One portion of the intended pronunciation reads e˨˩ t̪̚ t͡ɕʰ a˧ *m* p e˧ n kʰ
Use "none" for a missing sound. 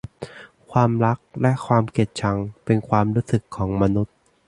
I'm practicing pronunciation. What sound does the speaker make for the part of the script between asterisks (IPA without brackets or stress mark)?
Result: ŋ